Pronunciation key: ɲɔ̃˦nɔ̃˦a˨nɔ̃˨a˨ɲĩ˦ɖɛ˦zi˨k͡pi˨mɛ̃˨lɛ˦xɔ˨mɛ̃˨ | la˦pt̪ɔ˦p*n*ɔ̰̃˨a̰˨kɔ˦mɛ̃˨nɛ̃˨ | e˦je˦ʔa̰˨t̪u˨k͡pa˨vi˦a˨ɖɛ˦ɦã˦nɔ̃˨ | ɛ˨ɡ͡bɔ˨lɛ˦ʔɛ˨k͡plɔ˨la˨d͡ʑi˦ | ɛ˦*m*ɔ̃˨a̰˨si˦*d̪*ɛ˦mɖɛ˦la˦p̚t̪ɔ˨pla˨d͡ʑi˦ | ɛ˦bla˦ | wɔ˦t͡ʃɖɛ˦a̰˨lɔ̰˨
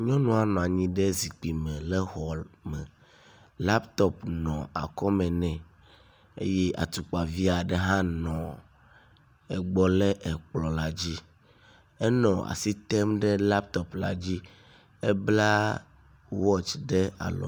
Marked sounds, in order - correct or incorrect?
correct, incorrect, incorrect

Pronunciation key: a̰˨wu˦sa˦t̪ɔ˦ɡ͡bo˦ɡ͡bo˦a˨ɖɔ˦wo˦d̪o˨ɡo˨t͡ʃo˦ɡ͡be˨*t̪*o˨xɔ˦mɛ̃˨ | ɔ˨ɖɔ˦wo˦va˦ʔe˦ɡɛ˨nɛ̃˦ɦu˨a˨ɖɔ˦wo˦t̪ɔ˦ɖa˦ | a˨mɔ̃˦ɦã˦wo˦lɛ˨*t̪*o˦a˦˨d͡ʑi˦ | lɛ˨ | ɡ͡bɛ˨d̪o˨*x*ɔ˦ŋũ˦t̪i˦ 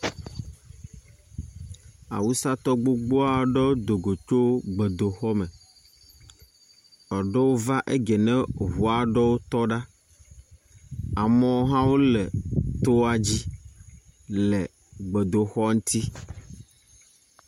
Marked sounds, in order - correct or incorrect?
incorrect, correct, correct

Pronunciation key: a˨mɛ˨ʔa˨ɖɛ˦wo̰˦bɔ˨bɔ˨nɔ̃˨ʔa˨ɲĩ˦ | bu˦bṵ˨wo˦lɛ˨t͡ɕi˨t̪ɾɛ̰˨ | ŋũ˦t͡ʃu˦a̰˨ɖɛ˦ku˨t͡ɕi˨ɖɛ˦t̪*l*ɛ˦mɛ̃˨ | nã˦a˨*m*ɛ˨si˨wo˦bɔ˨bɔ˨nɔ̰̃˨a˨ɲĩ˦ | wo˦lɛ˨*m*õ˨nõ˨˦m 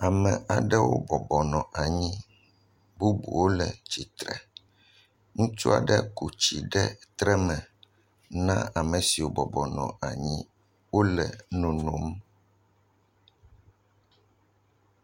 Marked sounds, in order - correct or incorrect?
incorrect, correct, incorrect

